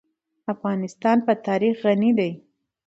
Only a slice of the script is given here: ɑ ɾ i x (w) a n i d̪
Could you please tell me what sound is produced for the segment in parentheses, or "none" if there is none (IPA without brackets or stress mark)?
ɣ